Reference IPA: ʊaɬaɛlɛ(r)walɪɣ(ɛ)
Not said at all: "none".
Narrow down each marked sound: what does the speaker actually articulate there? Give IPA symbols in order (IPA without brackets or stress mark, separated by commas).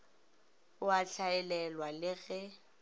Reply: l, ɛ